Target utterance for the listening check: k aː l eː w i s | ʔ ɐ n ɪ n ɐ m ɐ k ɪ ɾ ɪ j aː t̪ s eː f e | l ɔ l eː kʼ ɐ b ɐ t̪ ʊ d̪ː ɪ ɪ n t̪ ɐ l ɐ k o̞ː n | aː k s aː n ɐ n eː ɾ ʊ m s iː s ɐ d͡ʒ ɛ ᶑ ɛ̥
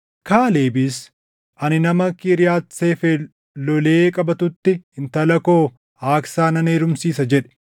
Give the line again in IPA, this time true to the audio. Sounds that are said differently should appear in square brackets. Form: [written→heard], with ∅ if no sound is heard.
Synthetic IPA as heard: k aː l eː [w→b] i s | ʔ ɐ n ɪ n ɐ m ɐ k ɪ ɾ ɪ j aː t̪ s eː f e | l ɔ l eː kʼ ɐ b ɐ t̪ ʊ [d̪ː→t̪ː] ɪ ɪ n t̪ ɐ l ɐ k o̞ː [n→∅] | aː k s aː n ɐ n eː ɾ ʊ m s iː s ɐ d͡ʒ ɛ ᶑ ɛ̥